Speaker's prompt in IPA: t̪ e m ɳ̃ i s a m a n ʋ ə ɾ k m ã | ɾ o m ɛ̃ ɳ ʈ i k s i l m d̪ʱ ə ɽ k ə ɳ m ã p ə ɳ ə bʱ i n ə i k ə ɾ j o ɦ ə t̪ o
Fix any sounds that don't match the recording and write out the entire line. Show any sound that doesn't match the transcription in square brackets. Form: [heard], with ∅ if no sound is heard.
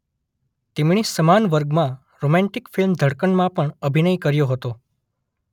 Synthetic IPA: t̪ e m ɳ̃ i s [ə] m a n ʋ ə ɾ [ɡ] m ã | ɾ o m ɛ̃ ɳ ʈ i k [f] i l m d̪ʱ ə ɽ k ə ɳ m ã p ə ɳ ə bʱ i n ə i k ə ɾ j o ɦ ə t̪ o